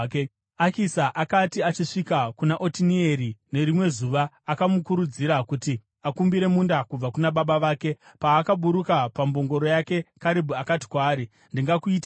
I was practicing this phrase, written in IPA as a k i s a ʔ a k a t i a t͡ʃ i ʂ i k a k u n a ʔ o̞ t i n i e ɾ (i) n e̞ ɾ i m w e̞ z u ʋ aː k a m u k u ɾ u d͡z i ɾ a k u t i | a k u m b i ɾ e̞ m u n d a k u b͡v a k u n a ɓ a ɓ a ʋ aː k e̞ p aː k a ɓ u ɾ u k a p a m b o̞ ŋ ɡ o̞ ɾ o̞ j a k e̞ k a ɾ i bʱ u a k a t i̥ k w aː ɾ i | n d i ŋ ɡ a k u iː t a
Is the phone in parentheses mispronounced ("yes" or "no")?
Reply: no